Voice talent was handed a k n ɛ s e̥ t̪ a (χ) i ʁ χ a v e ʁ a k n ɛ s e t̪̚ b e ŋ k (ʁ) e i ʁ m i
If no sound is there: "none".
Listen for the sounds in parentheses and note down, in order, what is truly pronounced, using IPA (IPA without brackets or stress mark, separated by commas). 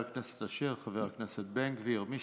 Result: ʃ, v